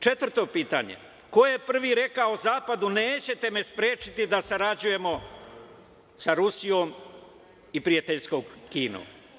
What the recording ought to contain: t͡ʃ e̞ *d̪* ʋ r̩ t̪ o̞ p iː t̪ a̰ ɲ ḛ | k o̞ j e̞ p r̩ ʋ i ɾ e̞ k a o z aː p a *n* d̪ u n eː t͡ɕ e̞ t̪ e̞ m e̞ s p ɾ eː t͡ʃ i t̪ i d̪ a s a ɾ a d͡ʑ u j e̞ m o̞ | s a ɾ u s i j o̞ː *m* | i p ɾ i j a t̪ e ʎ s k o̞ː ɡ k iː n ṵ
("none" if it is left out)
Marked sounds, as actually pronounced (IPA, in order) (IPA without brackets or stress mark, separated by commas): t̪, none, m